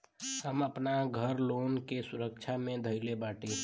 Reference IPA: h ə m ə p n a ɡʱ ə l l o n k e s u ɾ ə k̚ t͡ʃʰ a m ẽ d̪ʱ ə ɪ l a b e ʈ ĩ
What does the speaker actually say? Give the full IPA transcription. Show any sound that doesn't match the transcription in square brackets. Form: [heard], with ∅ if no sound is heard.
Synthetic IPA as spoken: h ə m ə p n a ɡʱ ə [ɾ] l o n k e s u ɾ ə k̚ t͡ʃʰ a m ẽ d̪ʱ ə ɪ l [e] b [a] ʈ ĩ